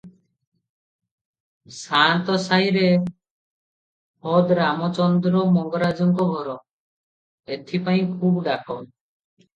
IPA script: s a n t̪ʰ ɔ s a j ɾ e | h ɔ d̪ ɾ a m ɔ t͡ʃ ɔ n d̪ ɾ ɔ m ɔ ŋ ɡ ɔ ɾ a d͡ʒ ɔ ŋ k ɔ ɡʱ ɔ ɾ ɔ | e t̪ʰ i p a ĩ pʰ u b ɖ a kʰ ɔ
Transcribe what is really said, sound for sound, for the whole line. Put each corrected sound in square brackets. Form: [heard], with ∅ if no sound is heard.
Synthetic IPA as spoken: s a n [t̪] ɔ s a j ɾ e | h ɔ d̪ ɾ a m ɔ t͡ʃ ɔ n d̪ ɾ ɔ m ɔ ŋ ɡ ɔ ɾ a d͡ʒ ɔ ŋ k ɔ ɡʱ ɔ ɾ ɔ | e t̪ʰ i p a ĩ [kʰ] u b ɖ a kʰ ɔ